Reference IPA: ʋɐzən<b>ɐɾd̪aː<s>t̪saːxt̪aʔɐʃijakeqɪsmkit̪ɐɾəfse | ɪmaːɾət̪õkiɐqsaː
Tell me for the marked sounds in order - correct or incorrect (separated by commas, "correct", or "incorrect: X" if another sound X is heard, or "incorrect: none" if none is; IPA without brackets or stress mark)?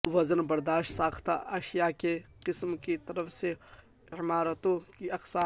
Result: correct, incorrect: ʃ